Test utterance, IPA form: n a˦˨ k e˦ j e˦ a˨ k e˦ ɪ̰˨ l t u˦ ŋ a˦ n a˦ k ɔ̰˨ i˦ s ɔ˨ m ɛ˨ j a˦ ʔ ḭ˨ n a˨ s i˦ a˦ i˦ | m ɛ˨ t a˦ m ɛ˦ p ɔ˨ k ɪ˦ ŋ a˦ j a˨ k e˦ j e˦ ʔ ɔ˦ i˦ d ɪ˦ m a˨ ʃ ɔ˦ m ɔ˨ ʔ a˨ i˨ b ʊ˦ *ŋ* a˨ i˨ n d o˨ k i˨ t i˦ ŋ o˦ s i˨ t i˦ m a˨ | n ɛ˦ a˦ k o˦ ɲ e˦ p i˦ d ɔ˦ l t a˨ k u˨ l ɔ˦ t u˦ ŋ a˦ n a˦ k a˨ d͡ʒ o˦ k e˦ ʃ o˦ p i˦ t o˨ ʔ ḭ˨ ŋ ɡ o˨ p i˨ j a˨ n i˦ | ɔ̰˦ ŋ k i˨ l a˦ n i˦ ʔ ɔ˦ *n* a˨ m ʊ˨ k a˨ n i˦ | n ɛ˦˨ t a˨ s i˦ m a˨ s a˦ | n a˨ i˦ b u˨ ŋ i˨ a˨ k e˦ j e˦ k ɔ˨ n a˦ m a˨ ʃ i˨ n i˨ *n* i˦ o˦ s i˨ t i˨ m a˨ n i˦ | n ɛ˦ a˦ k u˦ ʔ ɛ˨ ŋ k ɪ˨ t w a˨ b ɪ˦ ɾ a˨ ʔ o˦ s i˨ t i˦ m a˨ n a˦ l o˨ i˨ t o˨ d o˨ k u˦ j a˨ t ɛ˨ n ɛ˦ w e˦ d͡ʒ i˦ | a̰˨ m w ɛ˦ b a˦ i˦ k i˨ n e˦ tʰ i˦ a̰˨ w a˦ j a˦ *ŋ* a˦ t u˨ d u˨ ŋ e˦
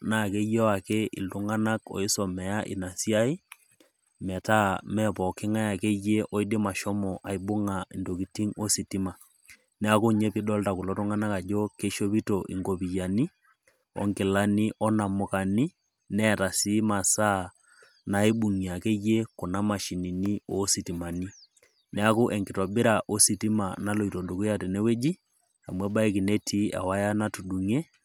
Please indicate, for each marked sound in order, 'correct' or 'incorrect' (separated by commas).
correct, correct, correct, incorrect